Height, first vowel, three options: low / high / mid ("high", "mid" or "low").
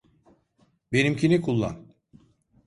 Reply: mid